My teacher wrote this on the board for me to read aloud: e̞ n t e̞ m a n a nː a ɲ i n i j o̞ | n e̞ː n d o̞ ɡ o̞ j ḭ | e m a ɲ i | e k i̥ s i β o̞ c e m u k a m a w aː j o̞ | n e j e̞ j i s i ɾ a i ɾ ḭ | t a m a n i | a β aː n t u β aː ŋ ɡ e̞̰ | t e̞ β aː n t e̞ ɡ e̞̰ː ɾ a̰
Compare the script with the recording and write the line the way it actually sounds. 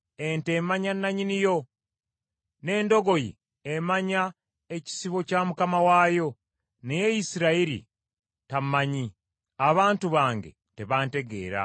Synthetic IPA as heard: e̞ n t e̞ m a ɲ a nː a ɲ i n i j o̞ | n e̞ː n d o̞ ɡ o̞ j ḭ | e m a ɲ a | e c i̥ s i β o̞ c a m u k a m a w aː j o̞ | n e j e̞ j i s i ɾ a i ɾ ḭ | t a m a ɲ i | a β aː n t u β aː ŋ ɡ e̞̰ | t e̞ β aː n t e̞ ɡ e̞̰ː ɾ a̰